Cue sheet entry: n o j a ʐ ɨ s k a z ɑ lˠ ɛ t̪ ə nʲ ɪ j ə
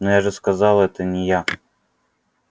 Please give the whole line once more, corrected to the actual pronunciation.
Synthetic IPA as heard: n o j a ʐ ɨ s k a z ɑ lˠ ɛ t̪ ə nʲ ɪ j a